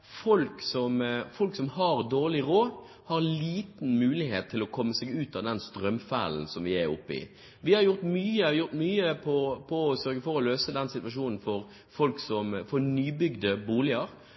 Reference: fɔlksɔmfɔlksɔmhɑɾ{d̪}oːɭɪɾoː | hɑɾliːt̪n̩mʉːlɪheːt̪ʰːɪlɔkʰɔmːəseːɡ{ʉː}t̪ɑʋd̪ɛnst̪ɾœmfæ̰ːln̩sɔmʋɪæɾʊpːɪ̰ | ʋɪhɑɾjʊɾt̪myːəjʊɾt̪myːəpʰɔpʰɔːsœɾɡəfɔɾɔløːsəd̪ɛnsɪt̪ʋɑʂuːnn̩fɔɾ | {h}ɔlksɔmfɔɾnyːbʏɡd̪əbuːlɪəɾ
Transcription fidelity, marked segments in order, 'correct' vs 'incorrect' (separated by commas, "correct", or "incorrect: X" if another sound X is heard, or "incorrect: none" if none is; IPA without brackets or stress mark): correct, correct, incorrect: f